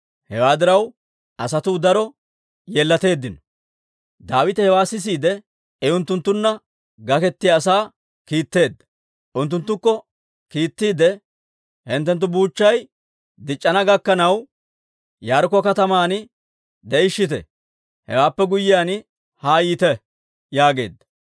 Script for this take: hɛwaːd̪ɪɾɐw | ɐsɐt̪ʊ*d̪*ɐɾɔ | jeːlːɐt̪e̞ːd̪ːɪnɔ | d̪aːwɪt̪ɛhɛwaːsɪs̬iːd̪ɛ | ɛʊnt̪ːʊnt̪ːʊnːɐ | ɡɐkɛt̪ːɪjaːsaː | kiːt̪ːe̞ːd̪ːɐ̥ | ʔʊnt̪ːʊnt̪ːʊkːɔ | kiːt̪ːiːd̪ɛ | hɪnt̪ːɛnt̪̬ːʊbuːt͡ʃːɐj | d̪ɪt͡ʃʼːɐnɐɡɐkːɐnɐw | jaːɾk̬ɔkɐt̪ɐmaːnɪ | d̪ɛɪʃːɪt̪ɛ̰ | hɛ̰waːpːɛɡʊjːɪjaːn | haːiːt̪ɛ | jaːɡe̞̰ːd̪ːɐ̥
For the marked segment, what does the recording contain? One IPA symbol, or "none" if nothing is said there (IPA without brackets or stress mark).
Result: d̪